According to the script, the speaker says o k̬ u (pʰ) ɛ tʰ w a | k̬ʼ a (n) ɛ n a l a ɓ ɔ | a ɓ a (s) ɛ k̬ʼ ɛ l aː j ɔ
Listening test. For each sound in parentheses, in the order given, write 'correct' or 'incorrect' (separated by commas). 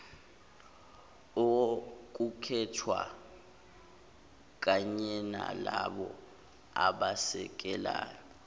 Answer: incorrect, incorrect, correct